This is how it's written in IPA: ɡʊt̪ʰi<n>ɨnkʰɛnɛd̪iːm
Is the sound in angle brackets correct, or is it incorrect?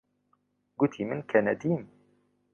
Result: incorrect